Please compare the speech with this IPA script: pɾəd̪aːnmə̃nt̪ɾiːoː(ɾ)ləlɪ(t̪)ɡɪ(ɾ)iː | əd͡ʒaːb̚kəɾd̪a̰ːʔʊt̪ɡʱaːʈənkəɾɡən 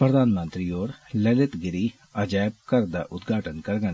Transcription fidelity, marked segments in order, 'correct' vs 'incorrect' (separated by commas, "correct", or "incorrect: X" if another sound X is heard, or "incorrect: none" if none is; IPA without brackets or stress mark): correct, correct, correct